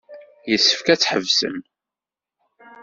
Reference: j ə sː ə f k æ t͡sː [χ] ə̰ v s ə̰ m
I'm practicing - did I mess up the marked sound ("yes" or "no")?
yes